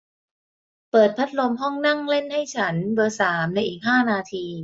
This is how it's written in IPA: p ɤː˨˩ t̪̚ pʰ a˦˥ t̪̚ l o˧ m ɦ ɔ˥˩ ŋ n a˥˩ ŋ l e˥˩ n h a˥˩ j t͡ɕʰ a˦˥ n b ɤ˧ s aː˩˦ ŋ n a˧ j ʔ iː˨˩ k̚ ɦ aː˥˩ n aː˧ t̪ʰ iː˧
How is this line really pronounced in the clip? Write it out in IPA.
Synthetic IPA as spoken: p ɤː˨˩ t̪̚ pʰ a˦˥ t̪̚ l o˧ m ɦ ɔ˥˩ ŋ n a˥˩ ŋ l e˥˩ n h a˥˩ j t͡ɕʰ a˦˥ n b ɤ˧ s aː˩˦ m n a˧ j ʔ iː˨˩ k̚ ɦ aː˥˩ n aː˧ t̪ʰ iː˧